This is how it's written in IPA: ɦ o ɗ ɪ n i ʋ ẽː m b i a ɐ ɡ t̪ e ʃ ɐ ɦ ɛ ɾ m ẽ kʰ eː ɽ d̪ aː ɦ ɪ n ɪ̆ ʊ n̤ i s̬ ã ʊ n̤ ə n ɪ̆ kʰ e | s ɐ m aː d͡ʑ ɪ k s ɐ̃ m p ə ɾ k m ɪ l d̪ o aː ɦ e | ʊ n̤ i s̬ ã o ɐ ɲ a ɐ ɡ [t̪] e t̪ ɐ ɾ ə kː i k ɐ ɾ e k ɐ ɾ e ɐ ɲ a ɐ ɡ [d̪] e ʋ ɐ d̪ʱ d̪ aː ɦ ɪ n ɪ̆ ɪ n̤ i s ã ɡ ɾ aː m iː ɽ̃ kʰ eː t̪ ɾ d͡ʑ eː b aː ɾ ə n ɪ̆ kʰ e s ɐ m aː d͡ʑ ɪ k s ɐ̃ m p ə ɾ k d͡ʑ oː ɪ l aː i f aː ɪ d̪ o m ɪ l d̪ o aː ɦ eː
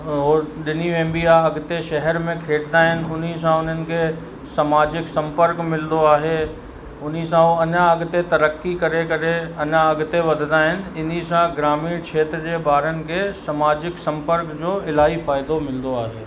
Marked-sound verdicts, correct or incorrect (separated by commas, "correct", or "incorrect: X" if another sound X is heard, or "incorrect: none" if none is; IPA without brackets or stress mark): correct, incorrect: t̪